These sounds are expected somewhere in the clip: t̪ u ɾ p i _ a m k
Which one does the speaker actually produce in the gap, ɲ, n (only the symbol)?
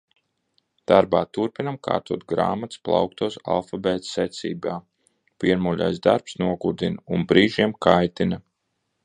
n